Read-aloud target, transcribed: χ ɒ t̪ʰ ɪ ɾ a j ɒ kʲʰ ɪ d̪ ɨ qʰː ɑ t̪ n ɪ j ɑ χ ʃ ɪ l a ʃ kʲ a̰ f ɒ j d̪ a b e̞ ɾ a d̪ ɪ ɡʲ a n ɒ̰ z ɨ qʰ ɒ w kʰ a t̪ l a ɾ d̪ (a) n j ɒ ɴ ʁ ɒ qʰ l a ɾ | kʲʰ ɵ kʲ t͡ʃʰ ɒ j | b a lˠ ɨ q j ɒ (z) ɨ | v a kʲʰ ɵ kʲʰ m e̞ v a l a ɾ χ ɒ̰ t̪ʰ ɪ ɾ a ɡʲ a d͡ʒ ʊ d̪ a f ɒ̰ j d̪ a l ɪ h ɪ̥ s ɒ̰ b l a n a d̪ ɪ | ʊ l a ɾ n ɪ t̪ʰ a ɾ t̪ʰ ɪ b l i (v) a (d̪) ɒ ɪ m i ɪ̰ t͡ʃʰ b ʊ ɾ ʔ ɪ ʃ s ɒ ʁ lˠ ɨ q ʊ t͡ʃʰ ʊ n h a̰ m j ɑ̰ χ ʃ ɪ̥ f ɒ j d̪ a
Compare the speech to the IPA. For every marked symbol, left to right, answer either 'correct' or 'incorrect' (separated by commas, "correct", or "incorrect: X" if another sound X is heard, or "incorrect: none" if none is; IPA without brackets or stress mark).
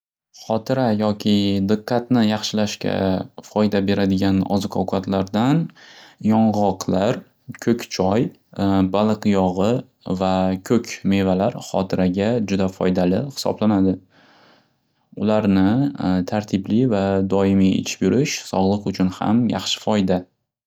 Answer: correct, incorrect: ʁ, correct, correct